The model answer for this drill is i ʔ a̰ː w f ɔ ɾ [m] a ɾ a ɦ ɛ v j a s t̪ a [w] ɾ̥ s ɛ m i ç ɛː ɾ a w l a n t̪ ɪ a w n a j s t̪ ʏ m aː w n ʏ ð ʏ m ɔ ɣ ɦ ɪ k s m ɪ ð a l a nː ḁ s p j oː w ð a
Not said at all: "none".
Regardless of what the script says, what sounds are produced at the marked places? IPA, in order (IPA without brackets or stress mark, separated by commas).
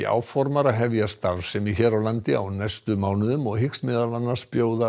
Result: m, v